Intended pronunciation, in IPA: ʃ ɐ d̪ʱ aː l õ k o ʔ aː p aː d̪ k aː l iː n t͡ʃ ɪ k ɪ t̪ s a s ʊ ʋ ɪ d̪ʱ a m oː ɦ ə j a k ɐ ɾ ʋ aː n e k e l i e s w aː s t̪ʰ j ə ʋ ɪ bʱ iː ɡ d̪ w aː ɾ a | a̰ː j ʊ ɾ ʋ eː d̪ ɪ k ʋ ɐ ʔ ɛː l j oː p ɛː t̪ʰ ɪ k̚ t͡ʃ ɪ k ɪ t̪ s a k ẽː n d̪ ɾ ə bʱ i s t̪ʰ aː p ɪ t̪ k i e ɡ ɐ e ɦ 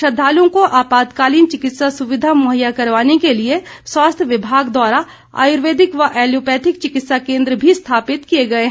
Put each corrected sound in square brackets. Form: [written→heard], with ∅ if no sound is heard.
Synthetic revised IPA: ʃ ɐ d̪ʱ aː l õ k o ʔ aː p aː d̪ k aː l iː n t͡ʃ ɪ k ɪ t̪ s a s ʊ ʋ ɪ d̪ʱ a m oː ɦ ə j a k ɐ ɾ ʋ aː n e k e l i e s w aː s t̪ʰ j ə ʋ ɪ bʱ [iː→aː] ɡ d̪ w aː ɾ a | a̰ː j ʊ ɾ ʋ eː d̪ ɪ k ʋ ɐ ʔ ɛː l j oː p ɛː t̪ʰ ɪ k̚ t͡ʃ ɪ k ɪ t̪ s a k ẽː n d̪ ɾ ə bʱ i s t̪ʰ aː p ɪ t̪ k i e ɡ ɐ e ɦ